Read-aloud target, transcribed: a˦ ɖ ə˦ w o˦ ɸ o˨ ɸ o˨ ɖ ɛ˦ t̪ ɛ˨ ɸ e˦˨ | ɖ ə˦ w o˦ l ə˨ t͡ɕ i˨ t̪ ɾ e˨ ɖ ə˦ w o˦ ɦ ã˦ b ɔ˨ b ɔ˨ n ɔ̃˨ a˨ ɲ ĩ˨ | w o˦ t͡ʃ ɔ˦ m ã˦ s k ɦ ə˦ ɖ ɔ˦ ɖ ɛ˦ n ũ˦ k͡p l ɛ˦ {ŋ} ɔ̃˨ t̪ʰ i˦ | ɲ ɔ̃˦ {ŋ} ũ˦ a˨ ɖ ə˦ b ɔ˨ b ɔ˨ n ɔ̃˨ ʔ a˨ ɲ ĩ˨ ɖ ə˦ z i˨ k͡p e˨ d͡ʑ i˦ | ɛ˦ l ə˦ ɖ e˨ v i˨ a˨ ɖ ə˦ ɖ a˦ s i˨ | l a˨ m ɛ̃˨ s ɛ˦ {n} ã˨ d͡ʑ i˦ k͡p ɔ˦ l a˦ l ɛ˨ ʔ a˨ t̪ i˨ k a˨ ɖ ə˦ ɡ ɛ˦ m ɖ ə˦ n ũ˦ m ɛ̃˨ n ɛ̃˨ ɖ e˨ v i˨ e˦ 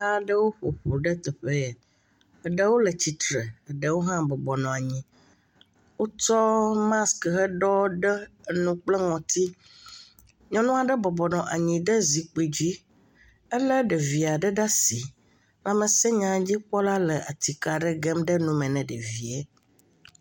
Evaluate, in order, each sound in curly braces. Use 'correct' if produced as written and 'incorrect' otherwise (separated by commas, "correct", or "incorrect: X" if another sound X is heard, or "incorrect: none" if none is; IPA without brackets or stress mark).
correct, incorrect: n, incorrect: ɲ